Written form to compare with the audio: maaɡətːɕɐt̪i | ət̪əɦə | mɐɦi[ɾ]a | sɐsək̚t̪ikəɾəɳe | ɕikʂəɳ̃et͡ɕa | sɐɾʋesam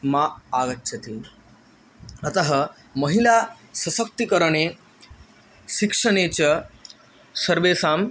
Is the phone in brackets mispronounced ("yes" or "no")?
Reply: yes